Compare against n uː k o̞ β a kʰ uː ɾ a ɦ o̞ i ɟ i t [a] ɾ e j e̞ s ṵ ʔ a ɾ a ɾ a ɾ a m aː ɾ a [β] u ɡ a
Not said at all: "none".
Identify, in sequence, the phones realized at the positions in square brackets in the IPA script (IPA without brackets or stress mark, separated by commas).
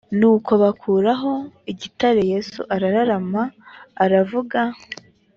a, v